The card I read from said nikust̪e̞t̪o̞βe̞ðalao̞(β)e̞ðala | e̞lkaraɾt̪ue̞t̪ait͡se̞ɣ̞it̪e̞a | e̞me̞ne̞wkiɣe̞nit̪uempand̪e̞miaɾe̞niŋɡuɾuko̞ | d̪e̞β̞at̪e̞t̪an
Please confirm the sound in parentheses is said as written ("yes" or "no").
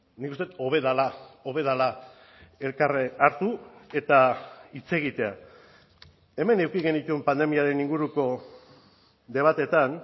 yes